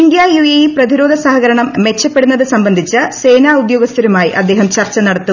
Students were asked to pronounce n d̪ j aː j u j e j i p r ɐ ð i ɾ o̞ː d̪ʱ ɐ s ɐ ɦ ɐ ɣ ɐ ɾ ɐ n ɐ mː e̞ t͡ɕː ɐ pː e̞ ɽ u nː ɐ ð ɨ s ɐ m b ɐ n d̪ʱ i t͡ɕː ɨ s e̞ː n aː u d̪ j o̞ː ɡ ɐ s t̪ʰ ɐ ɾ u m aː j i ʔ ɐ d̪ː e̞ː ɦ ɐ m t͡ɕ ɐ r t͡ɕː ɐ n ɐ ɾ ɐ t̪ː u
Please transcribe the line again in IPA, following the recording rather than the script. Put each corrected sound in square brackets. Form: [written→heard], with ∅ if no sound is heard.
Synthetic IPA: n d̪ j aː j u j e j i p r ɐ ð i ɾ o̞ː d̪ʱ ɐ s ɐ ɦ ɐ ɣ ɐ ɾ ɐ [n→ɳ] ɐ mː e̞ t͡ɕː ɐ pː e̞ ɽ u nː ɐ ð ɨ s ɐ m b ɐ n d̪ʱ i t͡ɕː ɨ s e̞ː n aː u d̪ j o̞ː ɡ ɐ s t̪ʰ ɐ ɾ u m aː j i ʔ ɐ d̪ː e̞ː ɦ ɐ m t͡ɕ ɐ r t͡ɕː ɐ n ɐ [ɾ→ɽ] ɐ t̪ː u